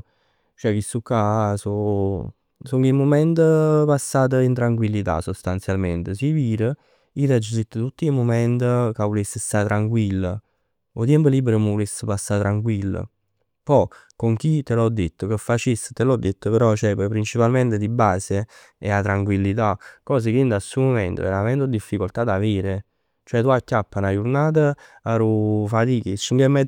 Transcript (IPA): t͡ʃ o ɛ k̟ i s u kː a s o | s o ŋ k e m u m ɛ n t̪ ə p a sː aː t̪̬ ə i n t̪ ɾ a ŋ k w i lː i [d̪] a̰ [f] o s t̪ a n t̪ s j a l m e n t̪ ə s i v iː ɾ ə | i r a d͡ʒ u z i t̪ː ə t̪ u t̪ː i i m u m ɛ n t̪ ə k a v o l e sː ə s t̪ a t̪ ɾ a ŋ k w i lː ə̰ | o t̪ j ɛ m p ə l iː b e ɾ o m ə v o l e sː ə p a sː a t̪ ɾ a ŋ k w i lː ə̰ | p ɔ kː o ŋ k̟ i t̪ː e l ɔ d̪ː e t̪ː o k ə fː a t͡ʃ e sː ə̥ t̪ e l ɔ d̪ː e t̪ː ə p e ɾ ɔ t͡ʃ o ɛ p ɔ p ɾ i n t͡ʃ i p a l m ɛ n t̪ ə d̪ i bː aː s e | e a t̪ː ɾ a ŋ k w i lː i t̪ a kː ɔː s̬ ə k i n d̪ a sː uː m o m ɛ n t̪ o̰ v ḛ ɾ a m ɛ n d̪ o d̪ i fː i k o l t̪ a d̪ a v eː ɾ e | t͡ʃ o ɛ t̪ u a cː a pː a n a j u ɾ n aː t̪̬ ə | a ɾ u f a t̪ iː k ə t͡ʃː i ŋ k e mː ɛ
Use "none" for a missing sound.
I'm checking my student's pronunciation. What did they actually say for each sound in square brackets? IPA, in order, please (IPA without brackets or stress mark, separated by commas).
t̪, s